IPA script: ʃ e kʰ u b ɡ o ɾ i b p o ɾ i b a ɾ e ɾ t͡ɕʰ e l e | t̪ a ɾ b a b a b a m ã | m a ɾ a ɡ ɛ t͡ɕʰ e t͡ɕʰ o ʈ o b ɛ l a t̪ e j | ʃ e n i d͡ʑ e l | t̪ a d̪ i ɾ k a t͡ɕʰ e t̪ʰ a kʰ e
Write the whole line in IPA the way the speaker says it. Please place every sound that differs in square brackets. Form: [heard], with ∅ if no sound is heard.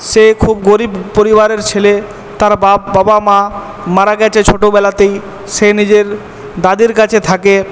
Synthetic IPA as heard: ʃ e kʰ u b ɡ o ɾ i b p o ɾ i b a ɾ e ɾ t͡ɕʰ e l e | t̪ a ɾ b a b a b a m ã | m a ɾ a ɡ ɛ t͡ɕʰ e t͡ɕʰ o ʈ o b ɛ l a t̪ e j | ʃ e n i d͡ʑ e [ɾ] | [d̪] a d̪ i ɾ k a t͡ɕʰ e t̪ʰ a [k] e